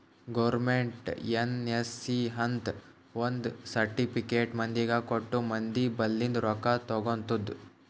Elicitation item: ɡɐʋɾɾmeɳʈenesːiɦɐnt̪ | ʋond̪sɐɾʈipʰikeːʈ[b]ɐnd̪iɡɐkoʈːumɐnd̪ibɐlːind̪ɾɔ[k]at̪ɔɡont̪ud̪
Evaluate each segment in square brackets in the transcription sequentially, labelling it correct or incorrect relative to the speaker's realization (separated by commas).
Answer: incorrect, correct